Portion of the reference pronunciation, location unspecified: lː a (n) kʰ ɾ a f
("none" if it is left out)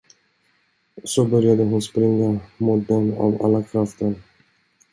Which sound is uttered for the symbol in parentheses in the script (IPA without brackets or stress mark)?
none